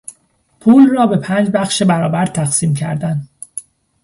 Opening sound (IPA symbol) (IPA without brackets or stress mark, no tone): pʰ